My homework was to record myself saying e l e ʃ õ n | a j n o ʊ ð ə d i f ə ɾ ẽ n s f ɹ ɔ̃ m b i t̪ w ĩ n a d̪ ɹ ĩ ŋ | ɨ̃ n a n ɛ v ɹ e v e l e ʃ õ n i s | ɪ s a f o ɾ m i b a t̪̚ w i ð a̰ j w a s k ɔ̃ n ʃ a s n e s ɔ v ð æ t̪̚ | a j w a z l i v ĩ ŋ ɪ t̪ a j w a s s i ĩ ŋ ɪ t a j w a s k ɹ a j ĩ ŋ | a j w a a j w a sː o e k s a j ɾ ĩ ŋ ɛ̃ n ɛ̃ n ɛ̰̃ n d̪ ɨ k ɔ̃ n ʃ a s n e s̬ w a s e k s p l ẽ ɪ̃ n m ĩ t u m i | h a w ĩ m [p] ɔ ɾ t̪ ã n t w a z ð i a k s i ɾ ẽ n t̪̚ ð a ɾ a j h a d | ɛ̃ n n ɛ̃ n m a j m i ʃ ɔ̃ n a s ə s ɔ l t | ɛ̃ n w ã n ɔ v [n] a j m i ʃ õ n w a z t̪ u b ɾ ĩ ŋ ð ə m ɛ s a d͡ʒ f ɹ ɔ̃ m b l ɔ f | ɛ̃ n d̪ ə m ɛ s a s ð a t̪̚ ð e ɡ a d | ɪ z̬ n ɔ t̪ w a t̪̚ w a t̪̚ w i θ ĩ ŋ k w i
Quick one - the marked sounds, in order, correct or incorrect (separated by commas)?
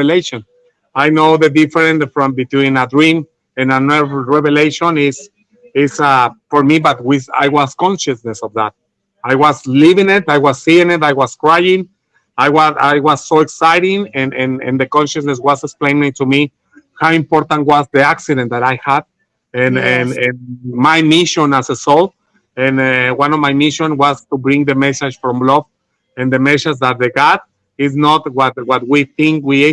correct, incorrect